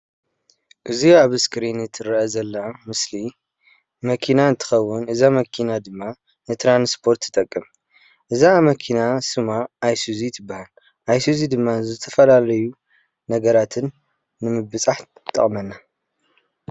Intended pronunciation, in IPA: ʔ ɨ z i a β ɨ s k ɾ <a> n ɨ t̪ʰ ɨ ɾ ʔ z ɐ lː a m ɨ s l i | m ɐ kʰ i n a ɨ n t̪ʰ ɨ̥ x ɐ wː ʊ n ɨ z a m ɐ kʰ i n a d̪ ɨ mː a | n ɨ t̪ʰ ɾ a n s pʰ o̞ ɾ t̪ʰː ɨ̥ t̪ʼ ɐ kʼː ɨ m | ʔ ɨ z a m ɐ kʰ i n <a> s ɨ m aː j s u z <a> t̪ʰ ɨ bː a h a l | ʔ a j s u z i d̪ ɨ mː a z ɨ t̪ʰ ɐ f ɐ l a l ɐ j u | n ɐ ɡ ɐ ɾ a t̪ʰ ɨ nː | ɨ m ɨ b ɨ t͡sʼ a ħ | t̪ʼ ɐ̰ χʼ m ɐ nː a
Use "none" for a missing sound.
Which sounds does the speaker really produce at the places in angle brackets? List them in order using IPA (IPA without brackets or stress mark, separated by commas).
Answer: i, a, i